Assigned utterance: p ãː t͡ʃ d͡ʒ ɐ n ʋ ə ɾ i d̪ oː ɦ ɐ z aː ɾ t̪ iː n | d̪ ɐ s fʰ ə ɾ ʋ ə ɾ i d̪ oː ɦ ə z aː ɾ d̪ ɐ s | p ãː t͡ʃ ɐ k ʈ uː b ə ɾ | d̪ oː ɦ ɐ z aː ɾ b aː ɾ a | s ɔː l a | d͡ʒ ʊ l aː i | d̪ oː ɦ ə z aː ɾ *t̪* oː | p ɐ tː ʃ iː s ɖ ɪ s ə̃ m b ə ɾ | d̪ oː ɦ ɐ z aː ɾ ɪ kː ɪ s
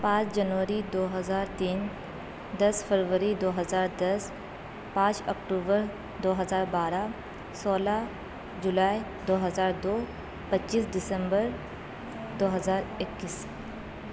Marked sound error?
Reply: yes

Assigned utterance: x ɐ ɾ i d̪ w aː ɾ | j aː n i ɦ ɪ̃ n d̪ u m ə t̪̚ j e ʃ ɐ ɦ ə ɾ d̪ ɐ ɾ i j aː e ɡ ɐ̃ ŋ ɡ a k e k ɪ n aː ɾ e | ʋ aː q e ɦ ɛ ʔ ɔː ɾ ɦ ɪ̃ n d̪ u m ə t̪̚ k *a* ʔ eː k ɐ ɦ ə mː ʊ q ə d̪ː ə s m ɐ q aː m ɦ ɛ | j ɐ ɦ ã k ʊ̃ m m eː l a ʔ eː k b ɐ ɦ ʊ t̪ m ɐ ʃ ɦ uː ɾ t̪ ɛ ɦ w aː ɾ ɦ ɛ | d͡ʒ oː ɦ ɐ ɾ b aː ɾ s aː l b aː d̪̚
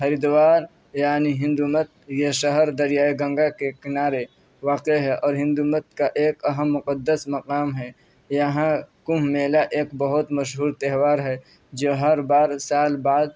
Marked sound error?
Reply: no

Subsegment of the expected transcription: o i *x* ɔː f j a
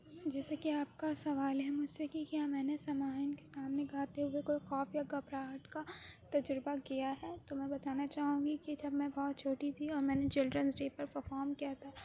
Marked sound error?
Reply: no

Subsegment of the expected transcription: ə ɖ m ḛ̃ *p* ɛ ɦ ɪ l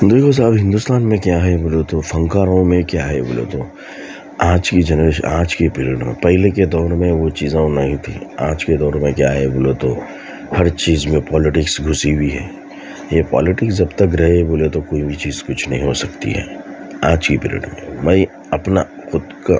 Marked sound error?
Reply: no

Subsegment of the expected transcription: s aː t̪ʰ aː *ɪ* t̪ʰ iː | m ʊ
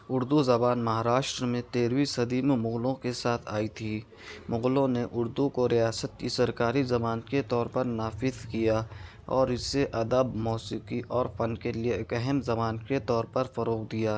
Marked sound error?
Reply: yes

